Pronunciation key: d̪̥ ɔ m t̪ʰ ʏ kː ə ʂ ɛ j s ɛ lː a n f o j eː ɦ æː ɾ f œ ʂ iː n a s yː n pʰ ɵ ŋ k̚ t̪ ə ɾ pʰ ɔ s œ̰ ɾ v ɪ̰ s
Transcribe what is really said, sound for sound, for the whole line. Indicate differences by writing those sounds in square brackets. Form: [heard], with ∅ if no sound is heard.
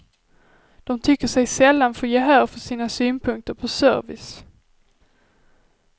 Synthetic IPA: d̪̥ ɔ m t̪ʰ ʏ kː ə ʂ ɛ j s ɛ lː a n f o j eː ɦ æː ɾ f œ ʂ iː n a s yː n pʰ ɵ ŋ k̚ t̪ ə ɾ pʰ ɔ s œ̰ ɾ v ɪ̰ s